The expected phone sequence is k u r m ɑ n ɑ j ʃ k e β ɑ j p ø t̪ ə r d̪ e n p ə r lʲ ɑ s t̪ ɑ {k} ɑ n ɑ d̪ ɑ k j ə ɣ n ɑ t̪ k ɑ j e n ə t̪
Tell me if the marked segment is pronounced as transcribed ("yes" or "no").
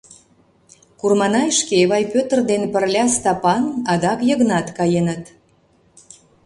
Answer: no